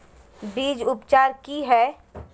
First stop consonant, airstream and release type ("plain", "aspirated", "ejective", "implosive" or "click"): plain